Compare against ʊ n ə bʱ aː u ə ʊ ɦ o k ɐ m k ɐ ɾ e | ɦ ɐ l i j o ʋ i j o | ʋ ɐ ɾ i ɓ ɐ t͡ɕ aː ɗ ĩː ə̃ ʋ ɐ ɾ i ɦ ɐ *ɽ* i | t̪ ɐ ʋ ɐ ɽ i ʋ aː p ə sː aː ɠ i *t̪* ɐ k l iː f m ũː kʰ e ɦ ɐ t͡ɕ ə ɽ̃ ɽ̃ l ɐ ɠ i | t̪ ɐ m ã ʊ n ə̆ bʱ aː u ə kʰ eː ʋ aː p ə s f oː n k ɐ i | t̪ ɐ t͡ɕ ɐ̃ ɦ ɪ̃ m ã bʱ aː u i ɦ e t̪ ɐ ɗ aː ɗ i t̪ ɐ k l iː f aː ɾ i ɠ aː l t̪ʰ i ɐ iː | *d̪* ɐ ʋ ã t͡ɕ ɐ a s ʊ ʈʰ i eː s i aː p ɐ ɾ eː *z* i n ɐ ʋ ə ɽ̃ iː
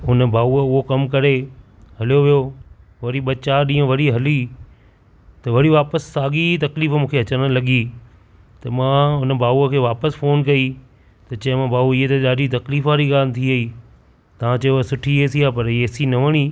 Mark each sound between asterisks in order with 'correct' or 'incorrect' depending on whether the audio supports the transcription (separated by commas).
incorrect, correct, incorrect, incorrect